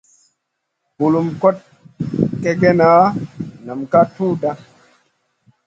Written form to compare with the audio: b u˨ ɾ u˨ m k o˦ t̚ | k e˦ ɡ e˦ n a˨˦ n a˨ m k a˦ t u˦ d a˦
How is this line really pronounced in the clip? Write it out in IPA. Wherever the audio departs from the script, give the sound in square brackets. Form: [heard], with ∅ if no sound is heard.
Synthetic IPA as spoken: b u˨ [l] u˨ m k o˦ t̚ | k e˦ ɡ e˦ n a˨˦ n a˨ m k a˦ t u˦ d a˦